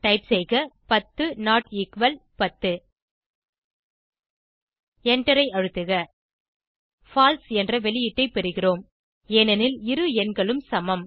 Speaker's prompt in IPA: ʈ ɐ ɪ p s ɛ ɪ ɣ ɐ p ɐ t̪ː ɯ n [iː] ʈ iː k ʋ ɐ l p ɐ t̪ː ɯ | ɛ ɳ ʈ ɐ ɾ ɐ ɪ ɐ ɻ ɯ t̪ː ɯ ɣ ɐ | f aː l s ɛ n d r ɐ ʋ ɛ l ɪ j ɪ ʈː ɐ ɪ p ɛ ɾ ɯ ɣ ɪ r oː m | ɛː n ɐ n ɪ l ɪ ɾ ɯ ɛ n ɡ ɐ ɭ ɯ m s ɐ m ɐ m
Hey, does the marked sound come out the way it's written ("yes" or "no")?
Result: no